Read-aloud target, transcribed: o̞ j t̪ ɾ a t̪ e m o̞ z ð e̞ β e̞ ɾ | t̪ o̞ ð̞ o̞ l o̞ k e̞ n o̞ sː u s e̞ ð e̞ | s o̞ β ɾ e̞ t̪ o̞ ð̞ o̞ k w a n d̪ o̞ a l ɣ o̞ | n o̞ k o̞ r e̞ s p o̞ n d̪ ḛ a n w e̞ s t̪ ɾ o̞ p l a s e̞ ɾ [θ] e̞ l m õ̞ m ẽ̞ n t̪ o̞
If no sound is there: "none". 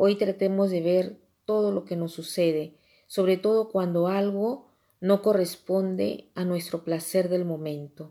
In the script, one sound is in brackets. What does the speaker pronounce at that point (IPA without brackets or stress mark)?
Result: ð